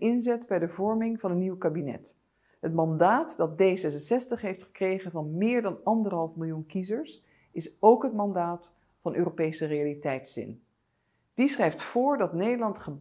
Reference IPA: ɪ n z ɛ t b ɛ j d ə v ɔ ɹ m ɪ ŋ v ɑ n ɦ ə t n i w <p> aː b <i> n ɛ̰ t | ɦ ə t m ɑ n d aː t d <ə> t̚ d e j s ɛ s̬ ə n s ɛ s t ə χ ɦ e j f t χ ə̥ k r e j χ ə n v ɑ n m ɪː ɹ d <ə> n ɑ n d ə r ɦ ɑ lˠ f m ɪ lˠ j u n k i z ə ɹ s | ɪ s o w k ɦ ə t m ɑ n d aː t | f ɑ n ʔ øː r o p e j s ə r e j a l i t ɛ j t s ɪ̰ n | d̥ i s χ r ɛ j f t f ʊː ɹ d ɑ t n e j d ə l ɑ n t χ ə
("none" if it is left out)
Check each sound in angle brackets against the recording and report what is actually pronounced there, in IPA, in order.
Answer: k, i, ɑ, ɑ

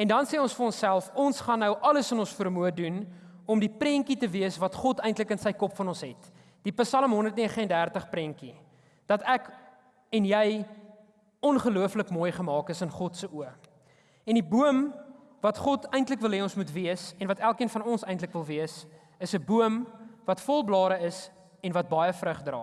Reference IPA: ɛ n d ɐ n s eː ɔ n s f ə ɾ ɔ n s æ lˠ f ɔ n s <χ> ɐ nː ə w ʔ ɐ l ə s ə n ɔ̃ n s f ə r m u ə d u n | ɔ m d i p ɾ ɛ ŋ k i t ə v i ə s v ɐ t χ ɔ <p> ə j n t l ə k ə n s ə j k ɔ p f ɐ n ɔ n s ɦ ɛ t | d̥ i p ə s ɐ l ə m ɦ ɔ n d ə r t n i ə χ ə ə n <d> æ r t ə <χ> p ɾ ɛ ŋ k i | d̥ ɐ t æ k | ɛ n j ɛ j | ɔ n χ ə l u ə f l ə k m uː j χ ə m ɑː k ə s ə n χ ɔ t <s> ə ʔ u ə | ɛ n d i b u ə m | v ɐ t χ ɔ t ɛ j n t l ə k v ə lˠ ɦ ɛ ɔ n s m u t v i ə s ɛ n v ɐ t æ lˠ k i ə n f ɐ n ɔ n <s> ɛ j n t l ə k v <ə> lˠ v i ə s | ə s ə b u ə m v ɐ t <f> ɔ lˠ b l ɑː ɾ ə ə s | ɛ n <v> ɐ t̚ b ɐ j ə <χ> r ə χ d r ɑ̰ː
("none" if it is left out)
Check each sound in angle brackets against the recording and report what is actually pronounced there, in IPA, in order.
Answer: χ, t, d, χ, s, s, ə, f, v, f

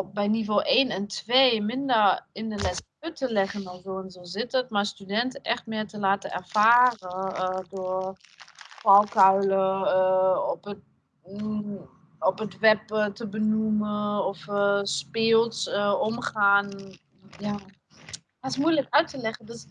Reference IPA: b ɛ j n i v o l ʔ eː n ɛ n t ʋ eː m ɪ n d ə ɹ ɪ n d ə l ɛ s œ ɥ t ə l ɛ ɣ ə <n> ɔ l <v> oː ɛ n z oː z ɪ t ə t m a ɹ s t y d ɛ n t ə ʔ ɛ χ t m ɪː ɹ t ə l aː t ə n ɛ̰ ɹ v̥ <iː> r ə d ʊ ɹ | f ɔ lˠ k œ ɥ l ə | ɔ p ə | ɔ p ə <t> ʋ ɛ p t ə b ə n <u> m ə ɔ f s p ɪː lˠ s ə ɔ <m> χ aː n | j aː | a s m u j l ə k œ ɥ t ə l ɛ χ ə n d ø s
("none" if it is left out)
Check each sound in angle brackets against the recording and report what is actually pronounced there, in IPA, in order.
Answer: n, z, aː, t, u, m

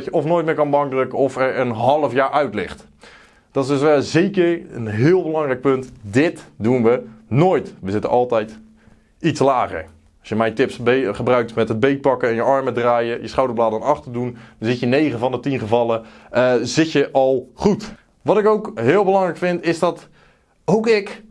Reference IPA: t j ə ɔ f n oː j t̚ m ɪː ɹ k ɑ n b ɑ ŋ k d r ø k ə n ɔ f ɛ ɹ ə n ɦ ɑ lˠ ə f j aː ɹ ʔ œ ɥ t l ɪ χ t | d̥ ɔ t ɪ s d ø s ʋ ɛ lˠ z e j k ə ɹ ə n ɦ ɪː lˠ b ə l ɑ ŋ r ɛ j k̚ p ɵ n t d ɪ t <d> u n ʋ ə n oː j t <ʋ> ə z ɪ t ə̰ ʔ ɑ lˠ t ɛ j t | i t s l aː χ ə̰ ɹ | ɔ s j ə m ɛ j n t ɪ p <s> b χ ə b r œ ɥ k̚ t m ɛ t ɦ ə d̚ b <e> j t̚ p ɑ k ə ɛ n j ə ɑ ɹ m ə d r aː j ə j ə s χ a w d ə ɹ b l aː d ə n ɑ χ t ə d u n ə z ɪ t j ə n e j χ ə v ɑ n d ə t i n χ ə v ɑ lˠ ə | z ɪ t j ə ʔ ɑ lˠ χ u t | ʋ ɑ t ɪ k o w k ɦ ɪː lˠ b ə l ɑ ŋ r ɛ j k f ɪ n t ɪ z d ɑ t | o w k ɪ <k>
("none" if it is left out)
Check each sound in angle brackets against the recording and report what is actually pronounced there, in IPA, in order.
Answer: d, ʋ, s, e, k

